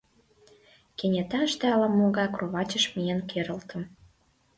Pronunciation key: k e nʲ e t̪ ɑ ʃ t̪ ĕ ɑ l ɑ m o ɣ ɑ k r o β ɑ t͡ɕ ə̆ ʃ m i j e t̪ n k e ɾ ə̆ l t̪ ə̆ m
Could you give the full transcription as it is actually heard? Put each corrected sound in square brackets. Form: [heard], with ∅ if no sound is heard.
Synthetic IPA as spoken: k e nʲ e t̪ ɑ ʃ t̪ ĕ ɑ l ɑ m o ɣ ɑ k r o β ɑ t͡ɕ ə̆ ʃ m i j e [∅] n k e ɾ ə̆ l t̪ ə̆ m